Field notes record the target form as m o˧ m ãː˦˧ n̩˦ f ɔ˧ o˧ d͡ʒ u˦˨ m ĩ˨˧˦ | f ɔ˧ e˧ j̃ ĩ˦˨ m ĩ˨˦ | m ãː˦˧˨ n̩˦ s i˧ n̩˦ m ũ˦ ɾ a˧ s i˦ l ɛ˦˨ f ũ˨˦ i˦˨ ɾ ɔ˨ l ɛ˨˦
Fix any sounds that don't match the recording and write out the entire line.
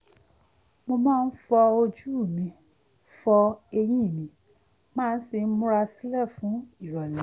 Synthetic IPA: m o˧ m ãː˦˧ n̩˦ f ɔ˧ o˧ d͡ʒ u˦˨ m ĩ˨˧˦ | f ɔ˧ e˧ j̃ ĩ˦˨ m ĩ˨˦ | m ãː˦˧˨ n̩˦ s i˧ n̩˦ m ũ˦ ɾ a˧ s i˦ l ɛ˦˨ f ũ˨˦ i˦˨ ɾ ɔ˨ l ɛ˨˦